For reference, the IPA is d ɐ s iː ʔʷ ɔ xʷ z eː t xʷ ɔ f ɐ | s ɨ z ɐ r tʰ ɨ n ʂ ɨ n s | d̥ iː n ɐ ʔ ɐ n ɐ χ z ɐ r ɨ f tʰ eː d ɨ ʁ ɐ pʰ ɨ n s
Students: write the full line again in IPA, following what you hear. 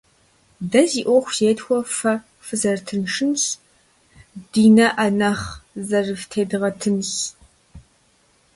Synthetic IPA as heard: d ɐ z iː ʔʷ ɔ xʷ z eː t xʷ ɔ f ɐ | f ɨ z ɐ r tʰ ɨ n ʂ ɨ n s | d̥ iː n ɐ ʔ ɐ n ɐ χ z ɐ r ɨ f tʰ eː d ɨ ʁ ɐ tʰ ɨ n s